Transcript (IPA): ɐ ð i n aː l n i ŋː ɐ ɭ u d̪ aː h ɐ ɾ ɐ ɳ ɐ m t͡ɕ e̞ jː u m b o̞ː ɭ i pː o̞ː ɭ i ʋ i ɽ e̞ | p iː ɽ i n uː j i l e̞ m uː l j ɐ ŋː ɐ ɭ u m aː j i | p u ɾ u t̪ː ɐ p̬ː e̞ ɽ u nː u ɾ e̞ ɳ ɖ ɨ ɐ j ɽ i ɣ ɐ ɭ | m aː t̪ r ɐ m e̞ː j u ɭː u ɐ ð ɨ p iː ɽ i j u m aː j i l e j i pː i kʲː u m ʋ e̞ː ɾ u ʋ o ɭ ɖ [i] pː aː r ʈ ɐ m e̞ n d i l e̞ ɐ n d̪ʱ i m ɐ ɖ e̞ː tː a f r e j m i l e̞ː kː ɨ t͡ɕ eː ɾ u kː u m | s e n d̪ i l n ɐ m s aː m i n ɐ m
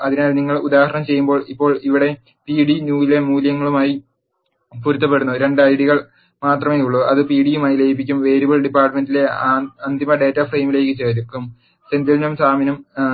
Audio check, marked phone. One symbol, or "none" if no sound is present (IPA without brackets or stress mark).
i